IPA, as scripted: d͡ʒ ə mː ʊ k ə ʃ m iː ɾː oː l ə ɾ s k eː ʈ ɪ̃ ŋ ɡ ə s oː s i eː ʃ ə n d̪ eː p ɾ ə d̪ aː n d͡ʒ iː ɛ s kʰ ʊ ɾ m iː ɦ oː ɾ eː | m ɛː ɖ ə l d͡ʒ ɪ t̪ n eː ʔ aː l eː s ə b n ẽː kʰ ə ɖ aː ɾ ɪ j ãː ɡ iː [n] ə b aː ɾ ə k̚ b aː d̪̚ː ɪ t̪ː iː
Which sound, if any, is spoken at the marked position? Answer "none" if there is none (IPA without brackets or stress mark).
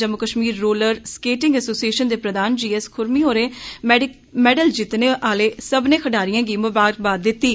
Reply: m